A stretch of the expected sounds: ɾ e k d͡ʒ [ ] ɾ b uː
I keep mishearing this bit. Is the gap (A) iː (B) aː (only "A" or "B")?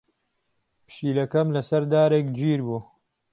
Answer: A